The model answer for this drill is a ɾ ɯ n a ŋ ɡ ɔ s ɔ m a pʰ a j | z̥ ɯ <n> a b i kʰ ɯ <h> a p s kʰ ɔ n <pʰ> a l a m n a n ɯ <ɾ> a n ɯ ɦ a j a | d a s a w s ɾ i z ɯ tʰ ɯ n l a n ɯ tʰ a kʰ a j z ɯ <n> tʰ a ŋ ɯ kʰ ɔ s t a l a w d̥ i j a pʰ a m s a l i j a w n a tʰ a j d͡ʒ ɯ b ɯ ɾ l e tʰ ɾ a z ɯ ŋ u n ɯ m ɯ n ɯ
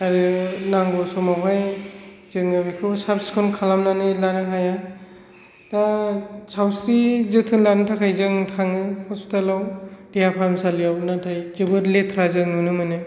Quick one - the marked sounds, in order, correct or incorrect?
incorrect: ŋ, incorrect: s, incorrect: kʰ, incorrect: l, incorrect: ŋ

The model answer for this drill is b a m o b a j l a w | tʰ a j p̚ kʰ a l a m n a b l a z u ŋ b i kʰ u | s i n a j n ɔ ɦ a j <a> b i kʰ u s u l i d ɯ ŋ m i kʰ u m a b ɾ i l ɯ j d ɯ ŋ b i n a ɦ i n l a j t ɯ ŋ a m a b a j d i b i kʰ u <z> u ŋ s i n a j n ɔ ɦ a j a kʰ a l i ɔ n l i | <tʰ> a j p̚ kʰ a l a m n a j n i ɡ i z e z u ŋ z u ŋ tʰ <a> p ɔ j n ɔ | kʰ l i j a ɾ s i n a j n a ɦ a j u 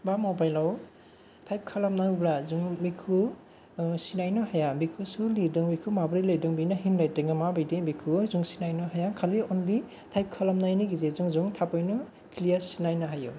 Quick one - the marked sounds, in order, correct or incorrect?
correct, correct, correct, correct

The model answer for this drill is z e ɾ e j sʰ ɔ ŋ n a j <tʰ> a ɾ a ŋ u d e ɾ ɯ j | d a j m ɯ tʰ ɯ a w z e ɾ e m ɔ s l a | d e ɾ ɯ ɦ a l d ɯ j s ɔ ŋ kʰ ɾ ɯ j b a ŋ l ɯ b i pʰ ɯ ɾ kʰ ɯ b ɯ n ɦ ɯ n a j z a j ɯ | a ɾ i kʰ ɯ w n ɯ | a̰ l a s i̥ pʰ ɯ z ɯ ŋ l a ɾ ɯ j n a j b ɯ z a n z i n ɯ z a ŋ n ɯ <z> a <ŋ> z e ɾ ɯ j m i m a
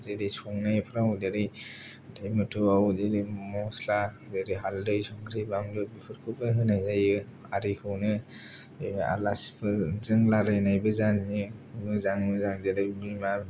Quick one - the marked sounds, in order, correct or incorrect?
incorrect: pʰ, correct, correct

